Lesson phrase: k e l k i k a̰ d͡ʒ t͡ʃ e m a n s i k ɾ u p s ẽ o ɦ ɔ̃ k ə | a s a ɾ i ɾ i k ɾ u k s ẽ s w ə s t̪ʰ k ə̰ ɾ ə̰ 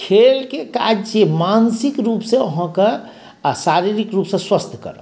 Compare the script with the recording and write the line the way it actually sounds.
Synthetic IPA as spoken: kʰ e l k e k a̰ d͡ʒ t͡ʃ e m a n s i k ɾ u p s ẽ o ɦ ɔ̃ k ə | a s a ɾ i ɾ i k ɾ u p s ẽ s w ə s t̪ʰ k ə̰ ɾ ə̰